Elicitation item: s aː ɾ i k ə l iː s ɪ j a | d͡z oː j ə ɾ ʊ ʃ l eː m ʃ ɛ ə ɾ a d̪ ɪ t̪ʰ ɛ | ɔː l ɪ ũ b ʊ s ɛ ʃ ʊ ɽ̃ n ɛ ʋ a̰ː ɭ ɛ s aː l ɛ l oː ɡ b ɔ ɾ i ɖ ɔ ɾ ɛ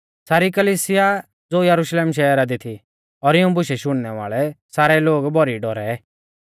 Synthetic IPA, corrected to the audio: s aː ɾ i k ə l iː s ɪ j a | d͡z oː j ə ɾ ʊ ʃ l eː m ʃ ɛ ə ɾ a d̪ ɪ t̪ʰ i | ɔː ɾ ɪ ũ b ʊ ʃ ɛ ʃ ʊ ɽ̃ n ɛ ʋ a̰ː ɭ ɛ s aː ɾ ɛ l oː ɡ b ɔ ɾ i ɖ ɔ ɾ ɛ